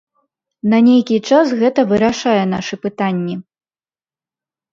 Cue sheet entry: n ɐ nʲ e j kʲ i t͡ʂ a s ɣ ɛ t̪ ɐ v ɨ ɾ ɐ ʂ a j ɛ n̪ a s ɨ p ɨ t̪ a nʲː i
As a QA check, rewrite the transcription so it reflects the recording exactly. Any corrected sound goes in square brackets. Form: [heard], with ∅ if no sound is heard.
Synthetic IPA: n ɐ nʲ e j kʲ i t͡ʂ a s ɣ ɛ t̪ ɐ v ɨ ɾ [a] ʂ a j ɛ n̪ a [ʂ] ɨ p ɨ t̪ a nʲː i